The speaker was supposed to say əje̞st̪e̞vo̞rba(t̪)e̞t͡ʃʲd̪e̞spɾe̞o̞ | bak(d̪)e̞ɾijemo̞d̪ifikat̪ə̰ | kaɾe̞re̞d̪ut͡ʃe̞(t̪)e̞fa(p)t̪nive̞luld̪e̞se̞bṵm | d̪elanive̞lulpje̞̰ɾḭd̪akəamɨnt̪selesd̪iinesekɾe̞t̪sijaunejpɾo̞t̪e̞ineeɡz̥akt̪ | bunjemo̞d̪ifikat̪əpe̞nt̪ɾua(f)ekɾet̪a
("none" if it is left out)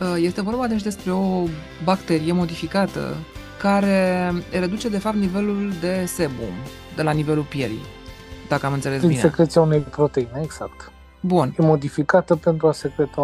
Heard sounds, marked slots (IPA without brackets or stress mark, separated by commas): d̪, t̪, d̪, p, s